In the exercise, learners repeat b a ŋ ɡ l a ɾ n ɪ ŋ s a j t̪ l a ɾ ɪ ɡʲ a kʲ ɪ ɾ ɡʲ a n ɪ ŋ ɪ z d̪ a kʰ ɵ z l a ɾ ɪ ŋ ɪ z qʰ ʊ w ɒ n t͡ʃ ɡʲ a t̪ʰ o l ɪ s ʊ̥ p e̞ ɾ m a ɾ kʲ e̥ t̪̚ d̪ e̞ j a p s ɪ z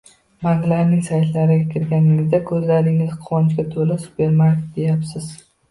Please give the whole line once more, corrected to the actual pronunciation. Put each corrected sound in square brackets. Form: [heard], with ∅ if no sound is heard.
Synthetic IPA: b a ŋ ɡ l a ɾ n ɪ ŋ s a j t̪ l a ɾ ɪ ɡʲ a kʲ ɪ ɾ ɡʲ a n ɪ ŋ ɪ z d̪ a kʰ ɵ z l a ɾ ɪ ŋ ɪ z qʰ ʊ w ɒ n t͡ʃ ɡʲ a t̪ʰ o l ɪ s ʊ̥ p e̞ ɾ m a ɾ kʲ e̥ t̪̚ d̪ e̞ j a p s ɪ z

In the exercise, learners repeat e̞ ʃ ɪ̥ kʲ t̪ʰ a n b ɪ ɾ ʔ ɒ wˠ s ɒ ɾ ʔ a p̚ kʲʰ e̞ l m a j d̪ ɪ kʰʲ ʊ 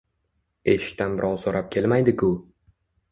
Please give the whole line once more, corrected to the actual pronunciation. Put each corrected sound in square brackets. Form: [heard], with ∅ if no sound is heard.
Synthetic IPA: e̞ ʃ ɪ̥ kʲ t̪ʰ a n b ɪ ɾ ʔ ɒ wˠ s [o] ɾ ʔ a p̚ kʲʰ e̞ l m a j d̪ ɪ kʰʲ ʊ

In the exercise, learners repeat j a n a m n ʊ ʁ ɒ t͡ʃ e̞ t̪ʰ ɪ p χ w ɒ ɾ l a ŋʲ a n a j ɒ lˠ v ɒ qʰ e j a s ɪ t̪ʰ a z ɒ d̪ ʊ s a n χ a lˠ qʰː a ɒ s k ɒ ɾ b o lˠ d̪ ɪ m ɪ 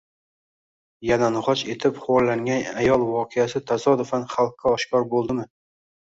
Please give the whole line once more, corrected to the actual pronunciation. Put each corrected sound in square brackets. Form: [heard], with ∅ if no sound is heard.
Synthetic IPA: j a n a [∅] n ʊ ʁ ɒ t͡ʃ e̞ t̪ʰ ɪ p χ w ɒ ɾ l a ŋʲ a n a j ɒ lˠ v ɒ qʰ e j a s ɪ t̪ʰ a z ɒ d̪ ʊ [f] a n χ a lˠ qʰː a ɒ [ʃ] k ɒ ɾ b o lˠ d̪ ɪ m ɪ

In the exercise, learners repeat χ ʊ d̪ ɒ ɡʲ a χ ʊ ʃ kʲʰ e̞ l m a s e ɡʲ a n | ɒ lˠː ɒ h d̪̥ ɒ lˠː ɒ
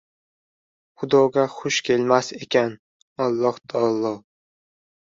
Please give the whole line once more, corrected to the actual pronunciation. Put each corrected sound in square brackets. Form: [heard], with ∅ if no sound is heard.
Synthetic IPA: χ ʊ d̪ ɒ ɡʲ a χ ʊ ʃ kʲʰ e̞ l m a s e [kʲ] a n | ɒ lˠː ɒ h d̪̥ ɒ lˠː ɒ

